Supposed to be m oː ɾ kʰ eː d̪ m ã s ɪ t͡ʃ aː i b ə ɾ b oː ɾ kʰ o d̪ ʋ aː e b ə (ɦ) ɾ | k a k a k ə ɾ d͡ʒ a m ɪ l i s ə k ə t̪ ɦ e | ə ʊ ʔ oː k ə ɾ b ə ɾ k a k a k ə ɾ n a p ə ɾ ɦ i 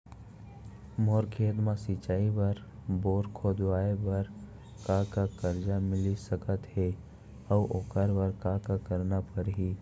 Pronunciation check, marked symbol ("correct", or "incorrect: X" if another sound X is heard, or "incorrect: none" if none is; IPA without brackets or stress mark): incorrect: none